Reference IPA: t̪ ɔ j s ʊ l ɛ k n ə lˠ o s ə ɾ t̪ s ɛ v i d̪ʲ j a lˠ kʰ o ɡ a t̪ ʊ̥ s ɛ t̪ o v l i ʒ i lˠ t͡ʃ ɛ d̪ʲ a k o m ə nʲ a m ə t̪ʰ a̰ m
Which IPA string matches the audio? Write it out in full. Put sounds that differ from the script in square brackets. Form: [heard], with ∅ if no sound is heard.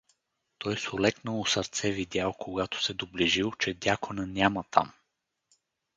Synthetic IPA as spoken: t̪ ɔ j s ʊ l ɛ k n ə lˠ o s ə ɾ t̪ s ɛ v i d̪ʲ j a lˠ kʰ o ɡ a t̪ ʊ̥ s ɛ [d̪] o [b] l i ʒ i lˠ t͡ʃ ɛ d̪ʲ a k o [n] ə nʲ a m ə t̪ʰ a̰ m

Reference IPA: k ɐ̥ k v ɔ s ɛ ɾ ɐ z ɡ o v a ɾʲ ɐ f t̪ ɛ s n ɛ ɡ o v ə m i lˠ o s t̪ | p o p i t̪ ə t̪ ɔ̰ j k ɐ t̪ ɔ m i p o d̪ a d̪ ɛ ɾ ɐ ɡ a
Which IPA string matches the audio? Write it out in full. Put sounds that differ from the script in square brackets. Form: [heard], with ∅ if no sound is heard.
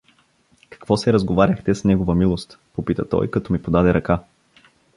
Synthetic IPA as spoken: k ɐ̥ k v ɔ s ɛ ɾ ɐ z ɡ o v a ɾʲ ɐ [x] t̪ ɛ s n ɛ ɡ o v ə m i lˠ o s t̪ | p o p i t̪ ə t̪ ɔ̰ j k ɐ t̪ ɔ m i p o d̪ a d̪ ɛ ɾ ɐ [k] a

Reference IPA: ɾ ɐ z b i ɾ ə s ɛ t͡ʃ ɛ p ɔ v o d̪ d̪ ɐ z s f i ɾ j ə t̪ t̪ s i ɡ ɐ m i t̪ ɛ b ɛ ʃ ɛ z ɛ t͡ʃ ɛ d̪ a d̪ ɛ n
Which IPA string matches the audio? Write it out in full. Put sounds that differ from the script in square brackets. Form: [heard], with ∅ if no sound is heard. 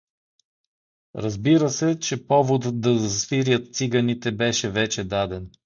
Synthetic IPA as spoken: ɾ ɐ z b i ɾ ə s ɛ t͡ʃ ɛ p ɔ v o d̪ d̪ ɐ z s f i ɾ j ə t̪ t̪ s i ɡ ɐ [n] i t̪ ɛ b ɛ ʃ ɛ [v] ɛ t͡ʃ ɛ d̪ a d̪ ɛ n

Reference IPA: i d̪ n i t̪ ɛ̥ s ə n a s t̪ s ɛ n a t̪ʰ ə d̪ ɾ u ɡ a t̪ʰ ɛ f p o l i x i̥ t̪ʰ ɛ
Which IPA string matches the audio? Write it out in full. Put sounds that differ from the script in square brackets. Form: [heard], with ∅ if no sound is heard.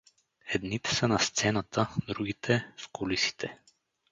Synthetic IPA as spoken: [ɛ] d̪ n i t̪ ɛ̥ s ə n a s t̪ s ɛ n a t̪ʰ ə d̪ ɾ u ɡ [i] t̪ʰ ɛ f [k] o l i [s] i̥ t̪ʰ ɛ

